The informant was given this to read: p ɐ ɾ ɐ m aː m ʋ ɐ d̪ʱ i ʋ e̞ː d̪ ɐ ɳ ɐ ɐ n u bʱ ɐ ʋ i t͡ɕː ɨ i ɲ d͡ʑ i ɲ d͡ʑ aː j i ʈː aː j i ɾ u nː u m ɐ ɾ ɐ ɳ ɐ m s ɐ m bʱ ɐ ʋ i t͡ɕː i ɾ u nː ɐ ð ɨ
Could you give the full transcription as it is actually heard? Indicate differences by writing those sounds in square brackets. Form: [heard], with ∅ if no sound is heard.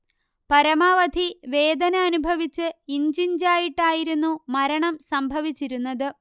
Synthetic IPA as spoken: p ɐ ɾ ɐ m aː [∅] ʋ ɐ d̪ʱ i ʋ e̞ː d̪ ɐ [n] ɐ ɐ n u bʱ ɐ ʋ i t͡ɕː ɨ i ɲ d͡ʑ i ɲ d͡ʑ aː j i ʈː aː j i ɾ u nː u m ɐ ɾ ɐ ɳ ɐ m s ɐ m bʱ ɐ ʋ i t͡ɕː i ɾ u nː ɐ ð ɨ